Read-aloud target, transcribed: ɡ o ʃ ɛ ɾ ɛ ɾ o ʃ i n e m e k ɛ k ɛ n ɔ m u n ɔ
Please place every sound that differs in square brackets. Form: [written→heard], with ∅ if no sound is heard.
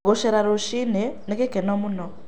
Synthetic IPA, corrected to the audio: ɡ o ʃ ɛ ɾ [ɛ→a] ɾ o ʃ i n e [m→n] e k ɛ k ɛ n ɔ m u n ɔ